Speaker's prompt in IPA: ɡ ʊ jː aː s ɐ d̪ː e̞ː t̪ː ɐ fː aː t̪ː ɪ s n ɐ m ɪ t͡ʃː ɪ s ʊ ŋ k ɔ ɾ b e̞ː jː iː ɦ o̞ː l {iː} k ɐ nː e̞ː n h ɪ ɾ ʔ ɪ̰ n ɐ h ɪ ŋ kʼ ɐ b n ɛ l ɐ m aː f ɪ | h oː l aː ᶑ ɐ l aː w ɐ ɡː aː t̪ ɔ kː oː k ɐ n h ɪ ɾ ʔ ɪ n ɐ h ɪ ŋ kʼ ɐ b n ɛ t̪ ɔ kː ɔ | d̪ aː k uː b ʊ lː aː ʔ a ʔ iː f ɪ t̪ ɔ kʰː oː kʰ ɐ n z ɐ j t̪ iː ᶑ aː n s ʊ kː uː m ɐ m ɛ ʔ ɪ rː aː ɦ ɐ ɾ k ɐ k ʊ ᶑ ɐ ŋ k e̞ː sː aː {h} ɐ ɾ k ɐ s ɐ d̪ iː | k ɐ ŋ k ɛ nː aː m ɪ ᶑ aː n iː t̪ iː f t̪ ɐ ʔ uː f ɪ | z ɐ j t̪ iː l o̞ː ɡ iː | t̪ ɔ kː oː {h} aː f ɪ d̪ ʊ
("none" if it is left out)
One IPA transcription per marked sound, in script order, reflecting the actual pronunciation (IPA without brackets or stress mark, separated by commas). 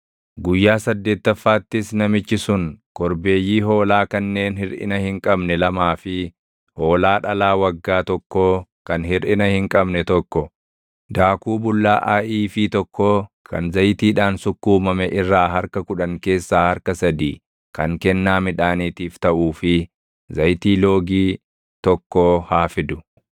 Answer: aː, h, h